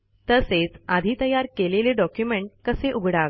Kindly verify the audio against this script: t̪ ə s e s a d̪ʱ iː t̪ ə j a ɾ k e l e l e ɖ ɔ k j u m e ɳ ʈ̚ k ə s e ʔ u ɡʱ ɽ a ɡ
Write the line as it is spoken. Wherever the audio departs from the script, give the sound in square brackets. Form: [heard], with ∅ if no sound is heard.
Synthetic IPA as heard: t̪ ə s e [t͡s] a d̪ʱ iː t̪ ə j a ɾ k e l e l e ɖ ɔ k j u m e ɳ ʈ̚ k ə s e ʔ u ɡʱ ɽ a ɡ

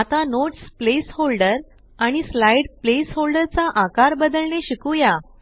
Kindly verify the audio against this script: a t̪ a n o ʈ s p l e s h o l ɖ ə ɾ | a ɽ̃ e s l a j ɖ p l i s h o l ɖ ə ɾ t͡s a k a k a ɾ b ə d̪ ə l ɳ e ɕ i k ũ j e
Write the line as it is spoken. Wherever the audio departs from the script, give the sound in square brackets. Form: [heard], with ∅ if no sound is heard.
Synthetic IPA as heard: a t̪ a n o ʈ s p l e s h o l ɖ ə ɾ | a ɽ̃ [i] s l a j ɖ p l [e] s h o l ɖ ə ɾ t͡s a [ʔ] a k a ɾ b ə d̪ ə l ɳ e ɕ i k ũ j [a]

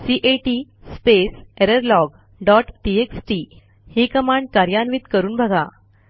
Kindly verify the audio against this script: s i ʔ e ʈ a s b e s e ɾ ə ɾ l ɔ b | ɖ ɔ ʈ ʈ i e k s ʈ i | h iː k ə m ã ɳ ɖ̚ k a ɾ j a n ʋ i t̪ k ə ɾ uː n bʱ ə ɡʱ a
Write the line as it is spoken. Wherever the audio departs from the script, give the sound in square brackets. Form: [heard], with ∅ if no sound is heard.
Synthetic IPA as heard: s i ʔ e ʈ [i] s [p] e s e ɾ ə ɾ l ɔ [ɡ] | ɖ ɔ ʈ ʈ i e k s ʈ i | h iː k ə m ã ɳ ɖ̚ k a ɾ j a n ʋ i t̪ k ə ɾ uː n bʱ ə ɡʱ a

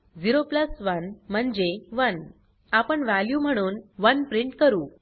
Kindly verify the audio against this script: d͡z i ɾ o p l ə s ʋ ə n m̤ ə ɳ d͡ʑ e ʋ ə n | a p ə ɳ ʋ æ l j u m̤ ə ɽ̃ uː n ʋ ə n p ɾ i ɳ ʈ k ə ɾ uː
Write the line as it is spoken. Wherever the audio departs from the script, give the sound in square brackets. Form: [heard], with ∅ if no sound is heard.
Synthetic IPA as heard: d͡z i ɾ o p l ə s ʋ ə n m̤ ə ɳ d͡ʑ e ʋ ə n | a p ə ɳ ʋ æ l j u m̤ ə ɽ̃ uː n ʋ ə n p ɾ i ɳ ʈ k ə ɾ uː

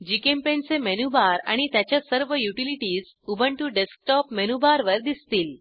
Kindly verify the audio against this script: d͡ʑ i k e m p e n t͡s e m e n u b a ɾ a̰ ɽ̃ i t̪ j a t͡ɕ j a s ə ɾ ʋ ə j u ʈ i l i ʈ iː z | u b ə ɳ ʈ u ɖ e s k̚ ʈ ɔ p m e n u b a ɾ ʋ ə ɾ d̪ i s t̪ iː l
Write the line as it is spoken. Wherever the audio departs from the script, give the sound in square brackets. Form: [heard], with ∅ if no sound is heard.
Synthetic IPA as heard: d͡ʑ i k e m p e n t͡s e m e n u b a ɾ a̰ ɽ̃ i t̪ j a t͡ɕ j a s ə ɾ ʋ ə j u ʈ i l i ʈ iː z | u b ə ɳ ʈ u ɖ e s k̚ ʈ ɔ p m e n u b a ɾ ʋ ə ɾ d̪ i s t̪ iː l

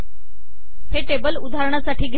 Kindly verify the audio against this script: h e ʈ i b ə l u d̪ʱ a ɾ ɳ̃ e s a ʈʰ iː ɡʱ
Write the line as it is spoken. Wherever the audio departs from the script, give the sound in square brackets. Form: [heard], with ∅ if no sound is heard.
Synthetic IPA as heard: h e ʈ [e] b ə l u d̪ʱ a ɾ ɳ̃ [a] s a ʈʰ iː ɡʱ

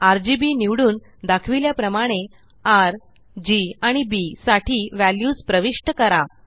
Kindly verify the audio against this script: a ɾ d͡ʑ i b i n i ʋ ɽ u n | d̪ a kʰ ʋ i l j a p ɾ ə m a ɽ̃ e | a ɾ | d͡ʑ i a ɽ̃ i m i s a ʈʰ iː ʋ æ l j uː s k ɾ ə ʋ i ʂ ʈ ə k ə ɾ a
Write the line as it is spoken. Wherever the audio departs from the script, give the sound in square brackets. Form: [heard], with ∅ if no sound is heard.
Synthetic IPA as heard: a ɾ d͡ʑ i b i n i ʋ ɽ [uː] n | d̪ a kʰ ʋ i l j a p ɾ ə m a ɽ̃ e | a ɾ | d͡ʑ i a ɽ̃ i [b] i s a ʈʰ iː ʋ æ l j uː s [p] ɾ ə ʋ i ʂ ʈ ə k ə ɾ a

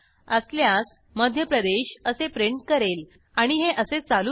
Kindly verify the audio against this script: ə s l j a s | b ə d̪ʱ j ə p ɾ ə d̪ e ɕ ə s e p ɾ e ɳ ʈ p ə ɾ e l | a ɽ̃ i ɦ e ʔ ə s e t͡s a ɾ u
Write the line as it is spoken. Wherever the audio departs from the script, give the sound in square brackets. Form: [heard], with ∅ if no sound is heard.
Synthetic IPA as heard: ə s l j a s | [m] ə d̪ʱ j ə p ɾ ə d̪ e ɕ ə s e p ɾ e ɳ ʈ [k] ə ɾ e l | a ɽ̃ i ɦ e ʔ ə s e t͡s a [l] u

